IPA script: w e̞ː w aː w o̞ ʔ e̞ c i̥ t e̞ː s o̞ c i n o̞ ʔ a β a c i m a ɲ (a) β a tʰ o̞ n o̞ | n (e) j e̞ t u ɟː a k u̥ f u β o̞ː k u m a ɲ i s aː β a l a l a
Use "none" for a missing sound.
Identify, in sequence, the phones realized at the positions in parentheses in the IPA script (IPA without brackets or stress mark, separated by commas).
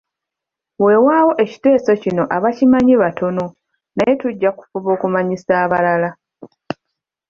i, a